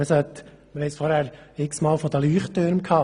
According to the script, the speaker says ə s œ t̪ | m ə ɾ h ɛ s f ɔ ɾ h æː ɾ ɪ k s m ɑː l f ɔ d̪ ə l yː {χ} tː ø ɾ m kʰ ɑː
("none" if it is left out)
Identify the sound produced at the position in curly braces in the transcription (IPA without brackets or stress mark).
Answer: χ